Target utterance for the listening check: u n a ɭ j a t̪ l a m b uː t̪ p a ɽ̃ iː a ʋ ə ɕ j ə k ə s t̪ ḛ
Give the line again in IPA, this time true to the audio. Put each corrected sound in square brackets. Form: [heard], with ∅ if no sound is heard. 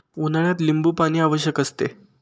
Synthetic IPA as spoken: u n a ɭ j a t̪ l [i] m b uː [∅] p a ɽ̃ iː a ʋ ə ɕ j ə k ə s t̪ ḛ

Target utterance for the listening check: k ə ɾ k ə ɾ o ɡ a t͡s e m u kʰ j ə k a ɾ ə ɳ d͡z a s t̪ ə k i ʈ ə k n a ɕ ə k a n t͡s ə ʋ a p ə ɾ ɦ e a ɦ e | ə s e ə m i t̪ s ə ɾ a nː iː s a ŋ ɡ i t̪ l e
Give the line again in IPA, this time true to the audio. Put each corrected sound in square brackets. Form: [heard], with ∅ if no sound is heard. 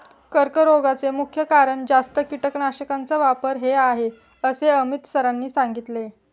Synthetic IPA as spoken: k ə ɾ k ə ɾ o ɡ a t͡s e m u kʰ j ə k a ɾ ə ɳ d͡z a s t̪ ə k i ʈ ə k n a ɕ ə k a n t͡s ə ʋ a p ə ɾ ɦ e a ɦ e | ə s e ə m i t̪ s ə ɾ a nː iː s a ŋ ɡ i t̪ l e

